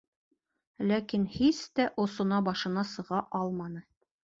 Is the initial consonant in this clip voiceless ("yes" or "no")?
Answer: no